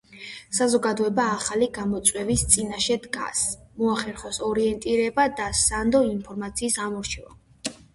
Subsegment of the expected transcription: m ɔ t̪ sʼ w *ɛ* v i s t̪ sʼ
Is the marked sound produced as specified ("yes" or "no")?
yes